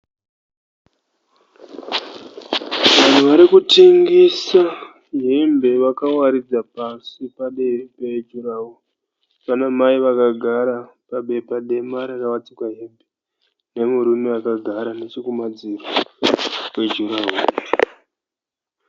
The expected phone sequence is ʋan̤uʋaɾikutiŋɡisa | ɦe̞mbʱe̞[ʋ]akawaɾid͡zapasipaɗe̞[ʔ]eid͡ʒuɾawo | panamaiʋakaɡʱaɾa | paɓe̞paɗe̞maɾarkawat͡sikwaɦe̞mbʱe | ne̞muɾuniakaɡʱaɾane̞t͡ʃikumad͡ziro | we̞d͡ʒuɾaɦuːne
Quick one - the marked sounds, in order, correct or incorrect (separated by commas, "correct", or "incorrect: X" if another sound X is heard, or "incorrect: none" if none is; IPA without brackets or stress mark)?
correct, incorrect: p